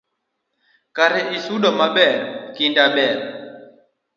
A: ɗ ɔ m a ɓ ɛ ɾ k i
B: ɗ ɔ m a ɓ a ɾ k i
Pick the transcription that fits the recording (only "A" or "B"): A